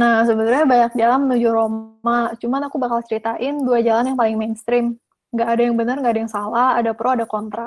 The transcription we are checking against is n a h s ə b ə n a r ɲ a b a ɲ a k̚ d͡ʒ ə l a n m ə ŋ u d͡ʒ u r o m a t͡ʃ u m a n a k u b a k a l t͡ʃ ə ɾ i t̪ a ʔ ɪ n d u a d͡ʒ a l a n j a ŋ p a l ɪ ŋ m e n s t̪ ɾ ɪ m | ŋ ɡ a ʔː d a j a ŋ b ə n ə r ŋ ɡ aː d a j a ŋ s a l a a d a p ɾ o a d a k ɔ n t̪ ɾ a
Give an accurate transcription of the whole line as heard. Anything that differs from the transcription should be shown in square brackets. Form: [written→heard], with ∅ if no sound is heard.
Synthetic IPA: n a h s ə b ə n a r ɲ a b a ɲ a k̚ d͡ʒ [ə→a] l a n m ə [ŋ→n] u d͡ʒ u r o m a t͡ʃ u m a n a k u b a k a l t͡ʃ ə ɾ i t̪ a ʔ ɪ n d u a d͡ʒ a l a n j a ŋ p a l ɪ ŋ m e n s t̪ ɾ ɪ m | ŋ ɡ a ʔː d a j a ŋ b ə n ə r ŋ ɡ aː d a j a ŋ s a l a a d a p ɾ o a d a k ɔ n t̪ ɾ a